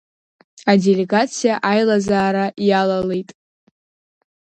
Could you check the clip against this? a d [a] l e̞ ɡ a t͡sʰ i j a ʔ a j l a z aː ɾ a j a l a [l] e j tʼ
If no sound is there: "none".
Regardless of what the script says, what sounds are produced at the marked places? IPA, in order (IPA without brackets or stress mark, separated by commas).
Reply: e, l